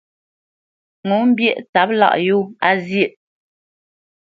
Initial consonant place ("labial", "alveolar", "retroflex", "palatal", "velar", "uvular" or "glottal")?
velar